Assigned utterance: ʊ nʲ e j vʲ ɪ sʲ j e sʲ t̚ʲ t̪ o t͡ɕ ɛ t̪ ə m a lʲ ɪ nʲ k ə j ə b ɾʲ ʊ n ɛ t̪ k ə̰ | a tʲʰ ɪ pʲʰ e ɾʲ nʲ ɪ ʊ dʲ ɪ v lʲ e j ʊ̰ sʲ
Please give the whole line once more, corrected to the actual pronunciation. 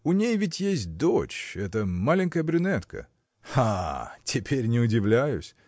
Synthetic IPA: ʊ nʲ e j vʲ ɪ tʲ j e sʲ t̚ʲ d̪ o t͡ɕ ɛ t̪ ə m a lʲ ɪ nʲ k ə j ə b ɾʲ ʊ n ɛ t̪ k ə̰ | a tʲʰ ɪ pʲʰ e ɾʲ nʲ ɪ ʊ dʲ ɪ v lʲ æ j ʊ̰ sʲ